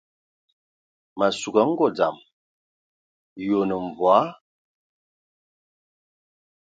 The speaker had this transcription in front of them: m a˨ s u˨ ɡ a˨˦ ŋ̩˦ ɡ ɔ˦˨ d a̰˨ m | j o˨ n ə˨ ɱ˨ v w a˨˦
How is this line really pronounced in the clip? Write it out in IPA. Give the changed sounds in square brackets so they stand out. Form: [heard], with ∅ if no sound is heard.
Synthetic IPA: m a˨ s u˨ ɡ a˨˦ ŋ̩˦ ɡ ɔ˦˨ [d͡z] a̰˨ m | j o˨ n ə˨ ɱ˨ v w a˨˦